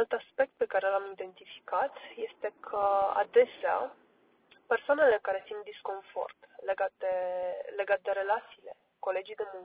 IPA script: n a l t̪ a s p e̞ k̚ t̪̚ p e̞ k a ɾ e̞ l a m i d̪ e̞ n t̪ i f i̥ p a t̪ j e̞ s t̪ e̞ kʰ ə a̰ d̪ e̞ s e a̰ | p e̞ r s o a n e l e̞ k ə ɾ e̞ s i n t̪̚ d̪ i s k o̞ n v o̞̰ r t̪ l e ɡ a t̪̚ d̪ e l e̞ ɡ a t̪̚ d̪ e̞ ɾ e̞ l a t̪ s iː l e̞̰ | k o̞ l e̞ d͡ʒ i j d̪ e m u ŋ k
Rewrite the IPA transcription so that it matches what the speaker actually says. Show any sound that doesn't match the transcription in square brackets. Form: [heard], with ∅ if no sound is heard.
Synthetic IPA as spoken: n a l t̪ a s p e̞ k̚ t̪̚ p e̞ k a ɾ e̞ l a m i d̪ e̞ n t̪ i f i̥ [k] a t̪ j e̞ s t̪ e̞ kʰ ə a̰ d̪ e̞ s e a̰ | p e̞ r s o a n e l e̞ k [a] ɾ e̞ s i n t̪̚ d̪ i s k o̞ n [f] o̞̰ r t̪ l e ɡ a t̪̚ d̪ e l e̞ ɡ a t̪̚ d̪ e̞ ɾ e̞ l a t̪ s iː l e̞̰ | k o̞ l e̞ d͡ʒ i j d̪ e m u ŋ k